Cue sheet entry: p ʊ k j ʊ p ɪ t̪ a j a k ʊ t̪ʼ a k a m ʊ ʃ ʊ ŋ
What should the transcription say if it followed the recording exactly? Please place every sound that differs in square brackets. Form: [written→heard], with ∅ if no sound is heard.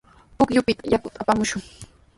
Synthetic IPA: p ʊ k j ʊ p ɪ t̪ a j a k ʊ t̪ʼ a [k→p] a m ʊ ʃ ʊ ŋ